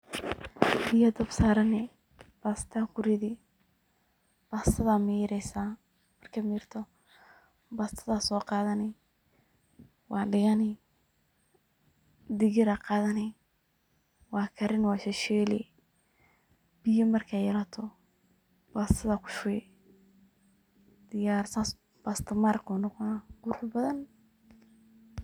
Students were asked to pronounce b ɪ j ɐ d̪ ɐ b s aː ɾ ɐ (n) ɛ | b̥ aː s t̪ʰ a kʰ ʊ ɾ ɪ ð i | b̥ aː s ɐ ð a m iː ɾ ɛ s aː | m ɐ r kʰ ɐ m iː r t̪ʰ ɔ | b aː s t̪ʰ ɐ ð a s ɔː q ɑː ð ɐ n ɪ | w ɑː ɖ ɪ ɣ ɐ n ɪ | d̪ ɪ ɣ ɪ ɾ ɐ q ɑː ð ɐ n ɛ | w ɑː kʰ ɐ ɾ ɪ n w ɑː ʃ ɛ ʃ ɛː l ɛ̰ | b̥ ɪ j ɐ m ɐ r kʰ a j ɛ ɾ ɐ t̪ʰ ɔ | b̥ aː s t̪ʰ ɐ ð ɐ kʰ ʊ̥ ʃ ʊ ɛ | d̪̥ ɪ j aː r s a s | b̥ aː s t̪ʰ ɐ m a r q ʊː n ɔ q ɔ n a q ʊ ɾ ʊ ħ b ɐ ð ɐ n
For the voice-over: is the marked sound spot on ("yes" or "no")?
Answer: yes